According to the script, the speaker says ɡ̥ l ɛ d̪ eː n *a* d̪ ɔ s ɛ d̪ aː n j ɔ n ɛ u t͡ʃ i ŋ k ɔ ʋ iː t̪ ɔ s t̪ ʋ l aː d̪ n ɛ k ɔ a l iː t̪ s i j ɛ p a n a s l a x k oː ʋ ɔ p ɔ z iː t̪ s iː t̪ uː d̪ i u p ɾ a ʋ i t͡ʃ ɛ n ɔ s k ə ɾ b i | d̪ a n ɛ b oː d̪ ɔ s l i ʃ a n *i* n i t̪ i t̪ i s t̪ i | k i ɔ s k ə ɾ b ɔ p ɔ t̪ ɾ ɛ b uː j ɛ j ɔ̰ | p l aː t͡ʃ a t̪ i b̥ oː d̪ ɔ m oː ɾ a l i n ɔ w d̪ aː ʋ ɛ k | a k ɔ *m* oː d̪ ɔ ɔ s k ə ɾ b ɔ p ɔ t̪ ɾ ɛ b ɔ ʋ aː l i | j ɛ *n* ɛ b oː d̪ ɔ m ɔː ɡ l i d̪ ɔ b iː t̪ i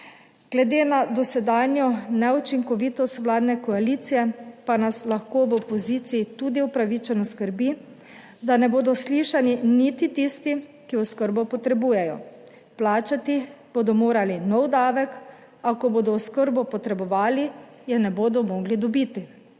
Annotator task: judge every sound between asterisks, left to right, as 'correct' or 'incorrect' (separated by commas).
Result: correct, correct, incorrect, correct